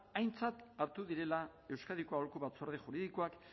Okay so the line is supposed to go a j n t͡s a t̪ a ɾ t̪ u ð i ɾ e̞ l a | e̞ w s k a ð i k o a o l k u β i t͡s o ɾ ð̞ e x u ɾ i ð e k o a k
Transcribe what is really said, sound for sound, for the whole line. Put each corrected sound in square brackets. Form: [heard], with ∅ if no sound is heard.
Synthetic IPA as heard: a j n t͡s a t̪ a ɾ t̪ u ð i ɾ e̞ l a | e̞ w s k a ð i k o a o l k u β [a] t͡s o ɾ ð̞ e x u ɾ i ð [i] k o a k